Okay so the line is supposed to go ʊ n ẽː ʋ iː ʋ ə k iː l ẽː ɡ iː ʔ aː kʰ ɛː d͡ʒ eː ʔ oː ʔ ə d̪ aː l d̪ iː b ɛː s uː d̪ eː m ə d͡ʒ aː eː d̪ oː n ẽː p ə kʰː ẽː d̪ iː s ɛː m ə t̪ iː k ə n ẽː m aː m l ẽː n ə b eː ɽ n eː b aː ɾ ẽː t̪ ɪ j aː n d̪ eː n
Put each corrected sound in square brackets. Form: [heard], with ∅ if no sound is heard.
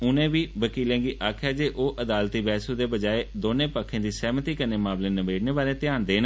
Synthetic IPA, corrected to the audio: ʊ n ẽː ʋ iː ʋ ə k iː l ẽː ɡ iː ʔ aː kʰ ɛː d͡ʒ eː ʔ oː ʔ ə d̪ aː l [t̪] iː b ɛː s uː d̪ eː [b] ə d͡ʒ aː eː d̪ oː n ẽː p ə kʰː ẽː d̪ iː s ɛː m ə t̪ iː k ə n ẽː m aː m l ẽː n ə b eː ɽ n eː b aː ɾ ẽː t̪ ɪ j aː n d̪ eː n